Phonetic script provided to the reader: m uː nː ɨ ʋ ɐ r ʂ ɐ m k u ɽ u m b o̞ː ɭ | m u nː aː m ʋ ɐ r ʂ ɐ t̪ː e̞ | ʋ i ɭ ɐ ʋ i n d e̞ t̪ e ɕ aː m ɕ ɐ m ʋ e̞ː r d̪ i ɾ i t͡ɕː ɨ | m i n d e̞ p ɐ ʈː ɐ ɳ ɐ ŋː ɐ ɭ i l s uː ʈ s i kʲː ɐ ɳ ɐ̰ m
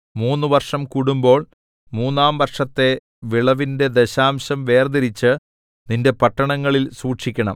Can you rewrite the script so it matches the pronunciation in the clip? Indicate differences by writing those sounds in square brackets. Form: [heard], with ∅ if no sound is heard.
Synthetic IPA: m uː nː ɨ ʋ ɐ r ʂ ɐ m k u ɽ u m b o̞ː ɭ | m [uː] nː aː m ʋ ɐ r ʂ ɐ t̪ː e̞ | ʋ i ɭ ɐ ʋ i n d e̞ [d̪] e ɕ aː m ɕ ɐ m ʋ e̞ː r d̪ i ɾ i t͡ɕː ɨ | [n] i n d e̞ p ɐ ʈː ɐ ɳ ɐ ŋː ɐ ɭ i l s uː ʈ [ʂ] i kʲː ɐ ɳ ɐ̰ m